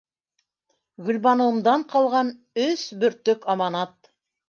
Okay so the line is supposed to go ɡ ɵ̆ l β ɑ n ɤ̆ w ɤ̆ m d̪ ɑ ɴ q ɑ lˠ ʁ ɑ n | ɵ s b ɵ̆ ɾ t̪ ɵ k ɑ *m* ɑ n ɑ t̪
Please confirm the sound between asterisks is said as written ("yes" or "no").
yes